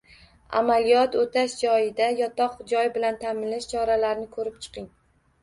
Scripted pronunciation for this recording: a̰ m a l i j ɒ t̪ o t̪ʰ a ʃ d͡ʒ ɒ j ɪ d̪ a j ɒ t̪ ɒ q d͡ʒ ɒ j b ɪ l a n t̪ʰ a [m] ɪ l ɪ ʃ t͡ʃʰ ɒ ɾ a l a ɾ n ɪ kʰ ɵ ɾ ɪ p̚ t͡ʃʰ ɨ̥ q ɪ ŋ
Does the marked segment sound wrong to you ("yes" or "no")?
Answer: no